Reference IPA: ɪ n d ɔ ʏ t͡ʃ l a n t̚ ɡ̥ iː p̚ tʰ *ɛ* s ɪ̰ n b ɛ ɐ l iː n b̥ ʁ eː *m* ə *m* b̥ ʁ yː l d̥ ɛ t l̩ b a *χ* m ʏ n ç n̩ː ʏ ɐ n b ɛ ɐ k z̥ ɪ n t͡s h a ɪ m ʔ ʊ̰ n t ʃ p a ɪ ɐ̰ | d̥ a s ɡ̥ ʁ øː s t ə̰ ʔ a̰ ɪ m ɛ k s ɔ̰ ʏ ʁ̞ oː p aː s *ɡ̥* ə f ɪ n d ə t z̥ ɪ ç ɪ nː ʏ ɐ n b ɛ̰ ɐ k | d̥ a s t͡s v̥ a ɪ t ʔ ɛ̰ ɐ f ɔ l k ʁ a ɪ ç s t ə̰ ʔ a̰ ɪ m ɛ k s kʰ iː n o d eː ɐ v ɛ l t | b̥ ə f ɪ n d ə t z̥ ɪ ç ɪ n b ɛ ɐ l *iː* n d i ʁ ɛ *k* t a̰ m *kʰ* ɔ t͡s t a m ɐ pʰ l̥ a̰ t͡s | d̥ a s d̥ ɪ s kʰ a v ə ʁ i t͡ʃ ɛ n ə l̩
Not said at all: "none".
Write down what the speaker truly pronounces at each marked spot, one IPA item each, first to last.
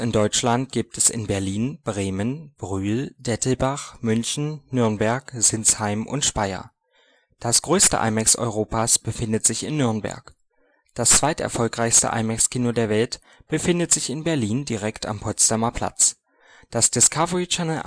ɛ, m, n, χ, b̥, iː, k, pʰ

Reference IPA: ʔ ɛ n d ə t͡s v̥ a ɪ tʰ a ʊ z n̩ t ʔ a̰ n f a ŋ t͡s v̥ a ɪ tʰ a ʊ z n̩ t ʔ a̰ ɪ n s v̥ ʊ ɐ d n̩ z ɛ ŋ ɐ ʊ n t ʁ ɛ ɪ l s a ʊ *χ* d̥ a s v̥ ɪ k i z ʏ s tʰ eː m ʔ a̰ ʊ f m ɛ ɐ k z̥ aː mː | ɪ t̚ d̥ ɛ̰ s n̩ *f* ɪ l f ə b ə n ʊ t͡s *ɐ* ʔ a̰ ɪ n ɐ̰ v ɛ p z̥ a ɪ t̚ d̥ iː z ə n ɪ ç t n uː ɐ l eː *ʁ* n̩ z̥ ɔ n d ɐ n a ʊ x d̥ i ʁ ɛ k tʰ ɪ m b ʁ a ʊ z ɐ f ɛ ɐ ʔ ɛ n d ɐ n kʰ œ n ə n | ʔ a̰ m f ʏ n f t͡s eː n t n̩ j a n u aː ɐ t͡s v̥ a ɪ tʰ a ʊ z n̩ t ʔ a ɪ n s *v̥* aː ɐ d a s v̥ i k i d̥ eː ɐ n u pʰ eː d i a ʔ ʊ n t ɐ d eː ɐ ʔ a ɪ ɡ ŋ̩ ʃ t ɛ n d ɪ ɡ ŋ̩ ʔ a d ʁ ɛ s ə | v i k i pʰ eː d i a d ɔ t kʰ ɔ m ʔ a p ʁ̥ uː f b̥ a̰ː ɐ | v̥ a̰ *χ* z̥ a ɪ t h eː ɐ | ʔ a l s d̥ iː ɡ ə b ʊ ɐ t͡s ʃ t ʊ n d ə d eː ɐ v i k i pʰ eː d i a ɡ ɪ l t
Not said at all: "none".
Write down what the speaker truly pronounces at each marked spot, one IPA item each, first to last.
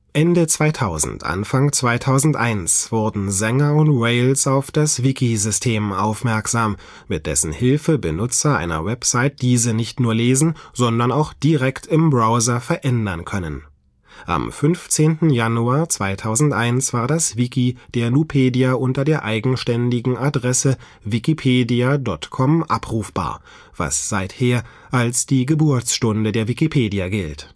f, h, ɐ, z, v̥, s

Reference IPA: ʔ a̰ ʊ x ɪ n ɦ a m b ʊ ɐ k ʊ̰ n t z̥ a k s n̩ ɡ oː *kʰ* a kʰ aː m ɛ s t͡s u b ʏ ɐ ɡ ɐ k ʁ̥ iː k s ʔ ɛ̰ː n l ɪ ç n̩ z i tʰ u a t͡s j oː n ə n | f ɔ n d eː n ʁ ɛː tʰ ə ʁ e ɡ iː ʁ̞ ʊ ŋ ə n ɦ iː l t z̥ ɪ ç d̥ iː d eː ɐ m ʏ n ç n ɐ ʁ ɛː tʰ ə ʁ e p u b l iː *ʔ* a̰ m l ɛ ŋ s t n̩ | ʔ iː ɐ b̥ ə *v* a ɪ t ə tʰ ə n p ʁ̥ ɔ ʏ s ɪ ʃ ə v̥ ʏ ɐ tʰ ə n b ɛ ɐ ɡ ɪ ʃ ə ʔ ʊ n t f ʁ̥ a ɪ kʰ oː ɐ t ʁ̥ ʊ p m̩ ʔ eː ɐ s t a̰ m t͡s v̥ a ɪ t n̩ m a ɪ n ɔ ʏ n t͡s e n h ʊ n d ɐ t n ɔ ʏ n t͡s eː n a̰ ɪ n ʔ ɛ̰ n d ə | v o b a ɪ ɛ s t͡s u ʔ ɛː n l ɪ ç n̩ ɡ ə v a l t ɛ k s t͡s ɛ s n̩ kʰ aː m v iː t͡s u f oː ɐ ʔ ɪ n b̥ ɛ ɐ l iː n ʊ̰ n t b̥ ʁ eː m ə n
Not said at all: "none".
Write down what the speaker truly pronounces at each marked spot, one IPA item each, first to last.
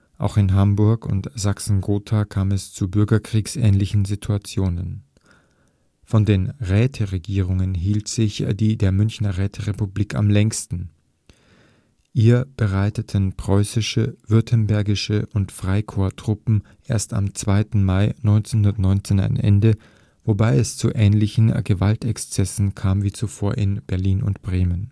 tʰ, k, ʁ

